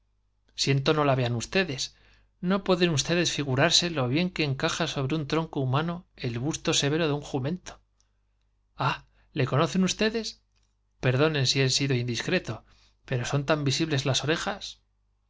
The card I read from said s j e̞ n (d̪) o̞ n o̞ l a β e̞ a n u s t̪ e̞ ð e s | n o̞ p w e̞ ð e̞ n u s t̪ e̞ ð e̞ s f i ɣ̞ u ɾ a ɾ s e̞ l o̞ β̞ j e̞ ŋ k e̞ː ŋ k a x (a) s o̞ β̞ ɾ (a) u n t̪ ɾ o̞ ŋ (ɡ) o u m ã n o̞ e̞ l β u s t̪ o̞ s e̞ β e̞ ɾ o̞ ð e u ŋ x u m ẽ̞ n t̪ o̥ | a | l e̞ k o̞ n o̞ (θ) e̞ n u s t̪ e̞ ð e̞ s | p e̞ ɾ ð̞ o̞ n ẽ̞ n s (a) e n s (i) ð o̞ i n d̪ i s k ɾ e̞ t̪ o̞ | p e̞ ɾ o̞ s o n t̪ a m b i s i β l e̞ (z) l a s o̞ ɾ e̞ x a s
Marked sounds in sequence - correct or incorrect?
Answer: incorrect, correct, incorrect, incorrect, correct, incorrect, correct, correct

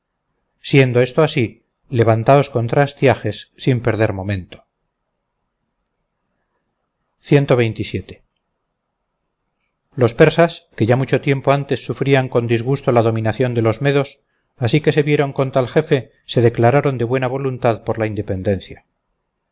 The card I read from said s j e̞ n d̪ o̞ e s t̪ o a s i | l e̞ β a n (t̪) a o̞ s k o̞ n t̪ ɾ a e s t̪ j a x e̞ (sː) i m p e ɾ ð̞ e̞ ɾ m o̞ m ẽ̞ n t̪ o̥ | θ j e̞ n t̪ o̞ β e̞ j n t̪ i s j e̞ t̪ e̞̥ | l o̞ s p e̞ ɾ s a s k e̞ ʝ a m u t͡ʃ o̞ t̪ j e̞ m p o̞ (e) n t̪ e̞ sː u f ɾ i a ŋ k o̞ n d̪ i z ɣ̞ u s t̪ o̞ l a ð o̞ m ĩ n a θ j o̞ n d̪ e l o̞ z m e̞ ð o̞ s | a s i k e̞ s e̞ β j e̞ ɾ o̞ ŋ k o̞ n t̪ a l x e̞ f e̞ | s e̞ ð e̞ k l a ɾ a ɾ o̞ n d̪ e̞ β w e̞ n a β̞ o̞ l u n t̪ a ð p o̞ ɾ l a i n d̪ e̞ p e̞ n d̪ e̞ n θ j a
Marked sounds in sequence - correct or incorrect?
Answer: correct, correct, incorrect

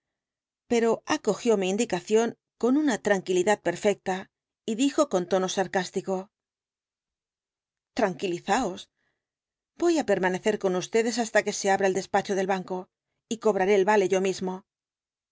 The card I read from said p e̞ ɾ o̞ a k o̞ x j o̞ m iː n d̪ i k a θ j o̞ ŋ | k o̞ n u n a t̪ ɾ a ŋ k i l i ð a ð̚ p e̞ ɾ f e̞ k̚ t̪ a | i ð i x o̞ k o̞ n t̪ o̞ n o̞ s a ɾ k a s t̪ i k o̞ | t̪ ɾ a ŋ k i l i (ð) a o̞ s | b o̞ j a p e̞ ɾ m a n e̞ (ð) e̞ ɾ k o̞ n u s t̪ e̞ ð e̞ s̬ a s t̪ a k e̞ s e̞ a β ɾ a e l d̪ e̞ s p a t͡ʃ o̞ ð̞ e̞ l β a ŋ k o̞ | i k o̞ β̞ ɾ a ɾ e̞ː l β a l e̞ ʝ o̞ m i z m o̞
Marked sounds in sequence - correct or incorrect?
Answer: incorrect, incorrect

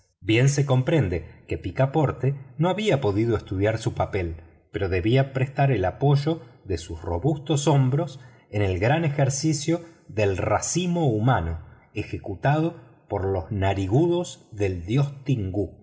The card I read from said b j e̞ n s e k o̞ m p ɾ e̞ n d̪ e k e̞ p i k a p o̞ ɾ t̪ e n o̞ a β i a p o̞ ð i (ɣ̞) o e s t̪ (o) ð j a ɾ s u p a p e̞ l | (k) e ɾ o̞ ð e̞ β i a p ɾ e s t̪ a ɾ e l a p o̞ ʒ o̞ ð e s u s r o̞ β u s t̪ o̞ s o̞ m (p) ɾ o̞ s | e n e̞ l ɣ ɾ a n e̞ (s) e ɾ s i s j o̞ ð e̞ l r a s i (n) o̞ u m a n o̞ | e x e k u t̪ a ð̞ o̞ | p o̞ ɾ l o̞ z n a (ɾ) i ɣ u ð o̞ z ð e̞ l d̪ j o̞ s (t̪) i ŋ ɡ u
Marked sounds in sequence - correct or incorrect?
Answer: incorrect, incorrect, incorrect, incorrect, incorrect, incorrect, correct, correct

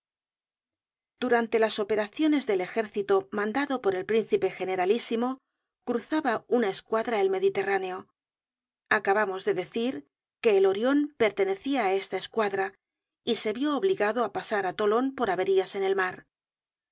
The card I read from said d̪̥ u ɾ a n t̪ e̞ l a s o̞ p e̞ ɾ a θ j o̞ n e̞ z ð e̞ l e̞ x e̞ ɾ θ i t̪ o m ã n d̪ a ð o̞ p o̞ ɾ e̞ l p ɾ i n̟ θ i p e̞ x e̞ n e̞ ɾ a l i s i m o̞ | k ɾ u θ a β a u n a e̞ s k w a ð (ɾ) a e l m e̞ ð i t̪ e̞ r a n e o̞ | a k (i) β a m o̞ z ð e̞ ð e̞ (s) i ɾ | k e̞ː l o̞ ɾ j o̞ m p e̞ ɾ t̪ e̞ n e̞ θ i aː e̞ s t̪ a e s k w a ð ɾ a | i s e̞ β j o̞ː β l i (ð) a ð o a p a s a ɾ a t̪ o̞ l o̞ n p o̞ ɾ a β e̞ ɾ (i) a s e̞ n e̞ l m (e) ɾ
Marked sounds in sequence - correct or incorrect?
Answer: correct, incorrect, incorrect, incorrect, correct, incorrect

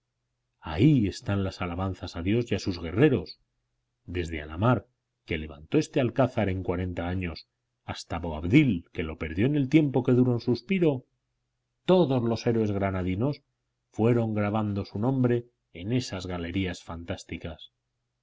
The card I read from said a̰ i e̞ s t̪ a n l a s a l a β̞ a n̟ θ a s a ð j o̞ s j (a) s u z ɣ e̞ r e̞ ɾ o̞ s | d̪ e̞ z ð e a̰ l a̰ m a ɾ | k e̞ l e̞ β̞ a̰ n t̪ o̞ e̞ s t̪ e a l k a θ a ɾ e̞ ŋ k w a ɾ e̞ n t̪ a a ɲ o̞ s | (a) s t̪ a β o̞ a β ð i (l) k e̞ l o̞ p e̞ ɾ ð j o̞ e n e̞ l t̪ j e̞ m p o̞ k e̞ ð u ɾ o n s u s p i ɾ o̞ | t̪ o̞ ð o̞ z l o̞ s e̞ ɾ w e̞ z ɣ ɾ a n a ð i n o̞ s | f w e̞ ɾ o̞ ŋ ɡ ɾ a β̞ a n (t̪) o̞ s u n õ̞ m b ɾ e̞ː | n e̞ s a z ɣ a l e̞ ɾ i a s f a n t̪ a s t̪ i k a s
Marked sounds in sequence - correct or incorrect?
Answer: correct, correct, correct, incorrect

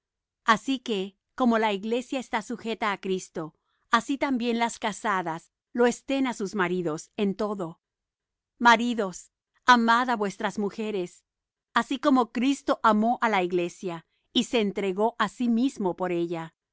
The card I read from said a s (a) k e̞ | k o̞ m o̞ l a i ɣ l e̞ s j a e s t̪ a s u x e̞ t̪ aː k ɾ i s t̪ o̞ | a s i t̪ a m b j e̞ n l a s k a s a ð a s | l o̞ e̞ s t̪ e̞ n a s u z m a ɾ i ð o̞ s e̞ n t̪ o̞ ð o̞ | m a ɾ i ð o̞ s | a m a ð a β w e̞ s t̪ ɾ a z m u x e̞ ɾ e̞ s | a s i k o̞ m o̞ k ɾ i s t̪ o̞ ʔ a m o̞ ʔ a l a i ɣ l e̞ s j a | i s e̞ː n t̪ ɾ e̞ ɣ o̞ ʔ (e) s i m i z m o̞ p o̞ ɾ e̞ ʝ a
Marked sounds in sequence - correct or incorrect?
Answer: incorrect, incorrect

